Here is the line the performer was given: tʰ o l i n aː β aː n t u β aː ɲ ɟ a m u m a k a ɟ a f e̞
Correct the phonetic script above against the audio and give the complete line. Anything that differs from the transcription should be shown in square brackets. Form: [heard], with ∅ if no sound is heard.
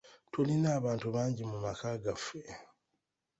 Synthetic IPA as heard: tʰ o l i n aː β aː n t u β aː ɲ ɟ [i] m u m a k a [ɡ] a f e̞